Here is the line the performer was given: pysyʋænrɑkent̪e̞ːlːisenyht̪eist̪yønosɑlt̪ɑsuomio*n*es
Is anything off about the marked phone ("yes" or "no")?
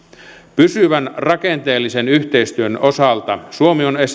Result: no